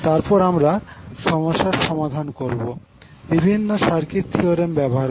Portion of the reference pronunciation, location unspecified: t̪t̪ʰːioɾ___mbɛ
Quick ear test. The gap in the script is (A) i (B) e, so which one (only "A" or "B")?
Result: B